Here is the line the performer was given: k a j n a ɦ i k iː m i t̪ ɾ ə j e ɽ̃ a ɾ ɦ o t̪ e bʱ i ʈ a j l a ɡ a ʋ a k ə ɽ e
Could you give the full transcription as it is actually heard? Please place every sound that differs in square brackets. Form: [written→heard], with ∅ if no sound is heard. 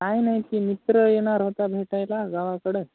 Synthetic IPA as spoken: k a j n a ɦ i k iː m i t̪ ɾ ə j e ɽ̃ a ɾ ɦ o t̪ [e→a] bʱ [i→e] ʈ a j l a ɡ a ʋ a k ə ɽ e